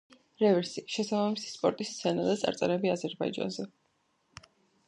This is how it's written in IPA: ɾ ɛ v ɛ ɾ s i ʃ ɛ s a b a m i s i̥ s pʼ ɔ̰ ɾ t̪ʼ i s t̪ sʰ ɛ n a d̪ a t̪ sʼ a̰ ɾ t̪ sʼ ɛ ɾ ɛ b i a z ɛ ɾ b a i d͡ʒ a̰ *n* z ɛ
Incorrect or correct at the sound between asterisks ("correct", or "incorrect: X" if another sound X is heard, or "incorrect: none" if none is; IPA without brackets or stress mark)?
correct